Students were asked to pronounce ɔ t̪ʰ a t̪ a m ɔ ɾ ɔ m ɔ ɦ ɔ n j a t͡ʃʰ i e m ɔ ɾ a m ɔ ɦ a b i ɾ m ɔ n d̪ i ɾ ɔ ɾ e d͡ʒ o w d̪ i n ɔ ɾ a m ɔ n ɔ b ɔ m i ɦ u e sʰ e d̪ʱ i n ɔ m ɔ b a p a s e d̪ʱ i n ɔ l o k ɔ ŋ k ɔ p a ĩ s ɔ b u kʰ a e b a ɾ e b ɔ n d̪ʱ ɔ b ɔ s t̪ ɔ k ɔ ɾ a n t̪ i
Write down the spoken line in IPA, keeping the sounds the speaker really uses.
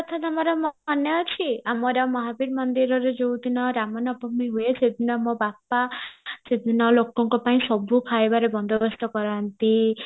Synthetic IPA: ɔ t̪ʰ a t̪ a m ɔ ɾ ɔ m ɔ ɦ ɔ n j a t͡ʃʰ i a m ɔ ɾ a m ɔ ɦ a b i ɾ m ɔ n d̪ i ɾ ɔ ɾ e d͡ʒ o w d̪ i n ɔ ɾ a m ɔ n ɔ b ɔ m i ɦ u e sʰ e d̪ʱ i n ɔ m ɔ b a p a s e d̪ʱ i n ɔ l o k ɔ ŋ k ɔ p a ĩ s ɔ b u kʰ a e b a ɾ e b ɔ n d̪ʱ ɔ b ɔ s t̪ ɔ k ɔ ɾ a n t̪ i